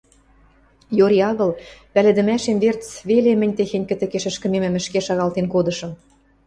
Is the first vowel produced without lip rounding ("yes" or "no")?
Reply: no